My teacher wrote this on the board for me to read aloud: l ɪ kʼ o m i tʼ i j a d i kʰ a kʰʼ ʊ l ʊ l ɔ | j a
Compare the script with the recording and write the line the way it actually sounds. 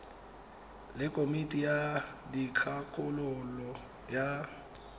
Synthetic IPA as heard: l ɪ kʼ o m i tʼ i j a d i kʰ a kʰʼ ʊ l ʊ l ɔ | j a